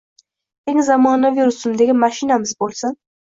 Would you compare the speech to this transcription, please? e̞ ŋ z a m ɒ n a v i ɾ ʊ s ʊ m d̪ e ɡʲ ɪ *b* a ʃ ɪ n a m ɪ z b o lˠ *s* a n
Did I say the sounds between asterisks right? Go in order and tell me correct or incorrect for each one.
incorrect: m, correct

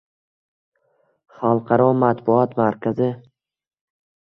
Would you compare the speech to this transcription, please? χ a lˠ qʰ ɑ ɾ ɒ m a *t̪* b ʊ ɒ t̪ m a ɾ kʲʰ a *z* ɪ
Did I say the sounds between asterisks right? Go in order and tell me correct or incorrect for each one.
correct, correct

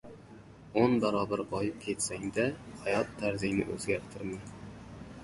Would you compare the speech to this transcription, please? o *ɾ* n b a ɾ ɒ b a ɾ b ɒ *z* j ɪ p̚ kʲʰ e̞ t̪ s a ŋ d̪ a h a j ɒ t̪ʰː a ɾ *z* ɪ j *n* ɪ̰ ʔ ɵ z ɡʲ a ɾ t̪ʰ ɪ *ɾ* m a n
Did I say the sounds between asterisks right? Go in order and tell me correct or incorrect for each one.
incorrect: none, incorrect: none, correct, correct, correct

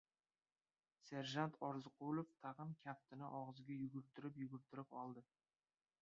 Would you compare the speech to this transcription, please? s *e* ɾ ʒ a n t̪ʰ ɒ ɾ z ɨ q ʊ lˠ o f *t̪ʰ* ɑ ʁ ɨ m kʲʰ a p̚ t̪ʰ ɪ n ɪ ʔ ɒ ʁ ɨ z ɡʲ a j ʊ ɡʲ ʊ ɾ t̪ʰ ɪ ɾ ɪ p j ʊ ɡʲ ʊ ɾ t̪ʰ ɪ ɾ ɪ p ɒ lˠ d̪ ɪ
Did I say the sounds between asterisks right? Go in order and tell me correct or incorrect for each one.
correct, correct

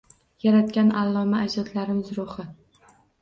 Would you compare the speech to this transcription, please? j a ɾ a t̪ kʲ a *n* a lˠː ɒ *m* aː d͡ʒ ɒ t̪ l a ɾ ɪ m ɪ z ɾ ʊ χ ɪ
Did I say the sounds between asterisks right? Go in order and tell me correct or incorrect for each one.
correct, correct

